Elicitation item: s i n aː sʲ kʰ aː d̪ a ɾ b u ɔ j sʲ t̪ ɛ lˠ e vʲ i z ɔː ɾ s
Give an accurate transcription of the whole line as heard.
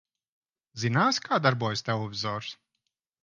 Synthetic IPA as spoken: z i n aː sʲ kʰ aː d̪ a ɾ b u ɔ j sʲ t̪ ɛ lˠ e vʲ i z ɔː ɾ s